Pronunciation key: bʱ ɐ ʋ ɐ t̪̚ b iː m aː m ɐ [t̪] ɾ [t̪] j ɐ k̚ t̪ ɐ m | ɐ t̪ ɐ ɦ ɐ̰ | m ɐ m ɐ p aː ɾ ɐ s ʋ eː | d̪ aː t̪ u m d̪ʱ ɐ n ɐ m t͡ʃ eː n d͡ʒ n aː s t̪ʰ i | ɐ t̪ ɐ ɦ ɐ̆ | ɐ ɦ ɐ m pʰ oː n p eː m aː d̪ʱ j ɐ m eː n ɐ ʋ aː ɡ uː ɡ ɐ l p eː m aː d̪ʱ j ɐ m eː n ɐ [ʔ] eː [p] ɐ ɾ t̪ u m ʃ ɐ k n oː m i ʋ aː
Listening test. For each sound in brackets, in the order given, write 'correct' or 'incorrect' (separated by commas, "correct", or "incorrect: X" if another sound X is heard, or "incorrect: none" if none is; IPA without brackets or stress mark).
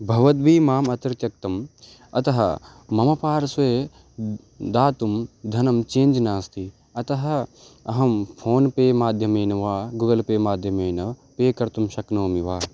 correct, correct, incorrect: p, incorrect: k